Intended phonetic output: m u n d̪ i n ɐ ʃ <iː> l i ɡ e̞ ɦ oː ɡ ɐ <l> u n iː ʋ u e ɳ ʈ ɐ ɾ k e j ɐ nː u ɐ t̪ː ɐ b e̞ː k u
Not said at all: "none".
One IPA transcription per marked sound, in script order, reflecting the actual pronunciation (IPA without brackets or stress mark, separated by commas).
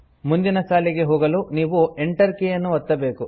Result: aː, l